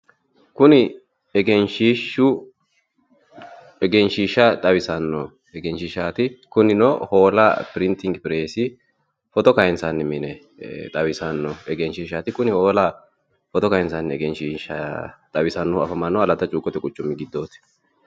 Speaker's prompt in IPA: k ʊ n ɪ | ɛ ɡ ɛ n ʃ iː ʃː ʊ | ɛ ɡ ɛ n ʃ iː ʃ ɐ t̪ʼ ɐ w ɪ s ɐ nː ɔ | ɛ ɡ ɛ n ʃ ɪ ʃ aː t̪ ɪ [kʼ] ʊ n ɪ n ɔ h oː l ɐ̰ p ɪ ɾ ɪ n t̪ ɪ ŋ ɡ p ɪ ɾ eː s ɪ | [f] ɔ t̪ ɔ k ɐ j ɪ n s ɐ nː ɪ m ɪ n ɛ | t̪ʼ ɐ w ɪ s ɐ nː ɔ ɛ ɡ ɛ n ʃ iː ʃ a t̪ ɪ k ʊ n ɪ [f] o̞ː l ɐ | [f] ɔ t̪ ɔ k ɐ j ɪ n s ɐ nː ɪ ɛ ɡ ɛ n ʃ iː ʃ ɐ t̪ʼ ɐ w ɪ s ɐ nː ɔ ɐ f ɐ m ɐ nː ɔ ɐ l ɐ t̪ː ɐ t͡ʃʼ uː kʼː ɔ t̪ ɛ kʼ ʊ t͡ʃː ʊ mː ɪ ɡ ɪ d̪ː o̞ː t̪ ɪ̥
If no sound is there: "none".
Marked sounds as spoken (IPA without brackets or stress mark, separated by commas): k, f, h, f